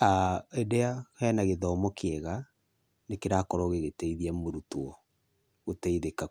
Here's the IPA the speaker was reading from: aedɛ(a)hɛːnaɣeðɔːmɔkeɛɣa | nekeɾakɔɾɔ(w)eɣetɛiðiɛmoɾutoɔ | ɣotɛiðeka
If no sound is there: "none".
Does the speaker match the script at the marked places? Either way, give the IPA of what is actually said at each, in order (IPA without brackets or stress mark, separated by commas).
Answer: a, ɣ